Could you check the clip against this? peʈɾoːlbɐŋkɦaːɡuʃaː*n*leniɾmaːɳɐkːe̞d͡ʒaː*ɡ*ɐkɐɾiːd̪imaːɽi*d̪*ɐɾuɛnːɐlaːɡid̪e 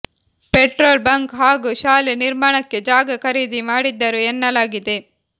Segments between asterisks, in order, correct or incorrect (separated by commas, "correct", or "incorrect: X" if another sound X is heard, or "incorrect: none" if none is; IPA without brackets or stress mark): incorrect: none, correct, incorrect: d̪ː